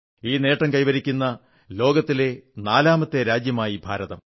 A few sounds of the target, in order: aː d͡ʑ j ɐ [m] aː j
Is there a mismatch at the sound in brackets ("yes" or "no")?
no